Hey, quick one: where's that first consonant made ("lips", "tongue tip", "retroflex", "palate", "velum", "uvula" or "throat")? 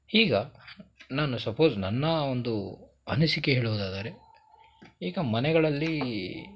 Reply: velum